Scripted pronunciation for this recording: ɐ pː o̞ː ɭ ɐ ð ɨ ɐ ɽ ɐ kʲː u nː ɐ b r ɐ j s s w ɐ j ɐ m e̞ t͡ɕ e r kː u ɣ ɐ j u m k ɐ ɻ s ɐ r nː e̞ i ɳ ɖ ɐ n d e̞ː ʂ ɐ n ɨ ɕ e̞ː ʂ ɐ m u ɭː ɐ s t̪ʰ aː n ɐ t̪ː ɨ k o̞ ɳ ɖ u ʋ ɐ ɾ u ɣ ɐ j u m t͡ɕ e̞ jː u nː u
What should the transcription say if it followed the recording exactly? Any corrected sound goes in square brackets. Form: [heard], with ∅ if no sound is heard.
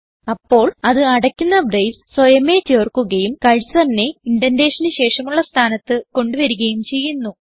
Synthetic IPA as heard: ɐ pː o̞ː ɭ ɐ ð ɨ ɐ ɽ ɐ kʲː u nː ɐ b r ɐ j s s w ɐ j ɐ m e̞ t͡ɕ e r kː u ɣ ɐ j u m k ɐ ɻ s ɐ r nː e̞ i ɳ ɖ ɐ n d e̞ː ʂ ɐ n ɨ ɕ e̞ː ʂ ɐ m u ɭː ɐ s t̪ʰ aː n ɐ t̪ː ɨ k o̞ ɳ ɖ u ʋ ɐ ɾ u ɣ ɐ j u m t͡ɕ e̞ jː u nː u